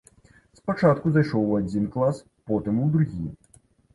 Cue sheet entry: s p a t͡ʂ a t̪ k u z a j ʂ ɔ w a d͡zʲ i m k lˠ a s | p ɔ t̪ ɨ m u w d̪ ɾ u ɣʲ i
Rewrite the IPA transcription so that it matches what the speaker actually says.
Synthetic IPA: s p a t͡ʂ a t̪ k u z a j ʂ ɔ w a d͡zʲ i n k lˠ a s | p ɔ t̪ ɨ m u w d̪ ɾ u ɣʲ i